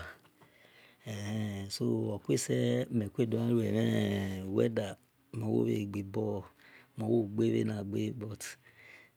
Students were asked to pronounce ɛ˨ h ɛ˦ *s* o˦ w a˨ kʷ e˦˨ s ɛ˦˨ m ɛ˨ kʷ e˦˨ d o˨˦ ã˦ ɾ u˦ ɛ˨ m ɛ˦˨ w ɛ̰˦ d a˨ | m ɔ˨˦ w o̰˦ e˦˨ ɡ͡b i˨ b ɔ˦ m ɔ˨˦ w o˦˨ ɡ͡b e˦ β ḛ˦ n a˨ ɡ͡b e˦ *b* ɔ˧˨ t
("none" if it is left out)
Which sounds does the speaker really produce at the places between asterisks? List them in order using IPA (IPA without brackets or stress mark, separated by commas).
s, b